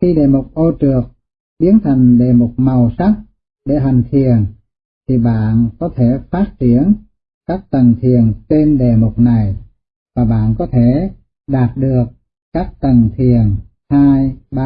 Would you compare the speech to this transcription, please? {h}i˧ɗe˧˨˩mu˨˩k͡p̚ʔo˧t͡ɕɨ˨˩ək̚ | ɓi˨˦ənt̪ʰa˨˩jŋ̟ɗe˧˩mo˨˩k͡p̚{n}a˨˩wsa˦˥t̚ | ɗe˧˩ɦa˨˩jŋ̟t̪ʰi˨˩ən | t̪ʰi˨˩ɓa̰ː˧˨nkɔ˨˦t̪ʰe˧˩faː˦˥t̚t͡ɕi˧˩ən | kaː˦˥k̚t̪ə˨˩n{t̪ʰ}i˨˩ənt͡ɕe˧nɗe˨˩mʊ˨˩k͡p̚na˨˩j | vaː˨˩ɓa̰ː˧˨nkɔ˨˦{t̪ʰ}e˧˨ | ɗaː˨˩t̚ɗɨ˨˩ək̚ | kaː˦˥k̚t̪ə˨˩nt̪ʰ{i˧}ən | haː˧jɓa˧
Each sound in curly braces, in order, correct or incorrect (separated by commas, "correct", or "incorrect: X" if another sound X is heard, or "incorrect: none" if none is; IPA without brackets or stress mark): incorrect: x, incorrect: m, correct, correct, incorrect: i˨˩